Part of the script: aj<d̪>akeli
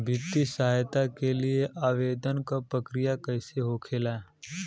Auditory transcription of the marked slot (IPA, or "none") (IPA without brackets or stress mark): t̪